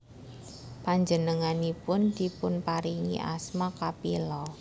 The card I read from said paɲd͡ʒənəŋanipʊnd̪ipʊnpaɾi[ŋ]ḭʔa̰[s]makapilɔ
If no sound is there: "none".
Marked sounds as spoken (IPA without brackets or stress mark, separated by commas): ŋ, s